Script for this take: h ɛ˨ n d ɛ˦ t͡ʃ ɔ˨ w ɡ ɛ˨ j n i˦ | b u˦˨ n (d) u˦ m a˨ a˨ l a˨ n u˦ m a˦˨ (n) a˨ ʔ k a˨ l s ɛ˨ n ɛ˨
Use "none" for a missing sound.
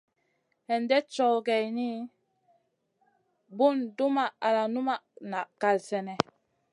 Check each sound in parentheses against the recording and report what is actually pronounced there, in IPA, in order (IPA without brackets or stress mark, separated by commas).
d, n